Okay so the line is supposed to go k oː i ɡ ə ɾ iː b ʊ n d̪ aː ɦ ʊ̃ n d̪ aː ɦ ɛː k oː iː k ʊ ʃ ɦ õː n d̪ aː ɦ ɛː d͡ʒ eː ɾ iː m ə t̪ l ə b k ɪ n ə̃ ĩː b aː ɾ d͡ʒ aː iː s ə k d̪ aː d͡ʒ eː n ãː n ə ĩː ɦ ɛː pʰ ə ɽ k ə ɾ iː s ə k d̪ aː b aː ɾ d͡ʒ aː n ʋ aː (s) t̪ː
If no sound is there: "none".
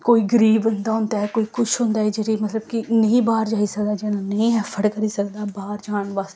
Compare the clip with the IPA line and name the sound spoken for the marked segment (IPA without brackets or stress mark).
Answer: s